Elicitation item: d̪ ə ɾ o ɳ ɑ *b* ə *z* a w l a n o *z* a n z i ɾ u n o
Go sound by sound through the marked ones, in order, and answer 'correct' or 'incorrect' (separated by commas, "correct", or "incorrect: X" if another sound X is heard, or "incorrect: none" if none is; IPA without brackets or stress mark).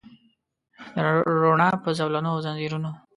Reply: incorrect: p, correct, correct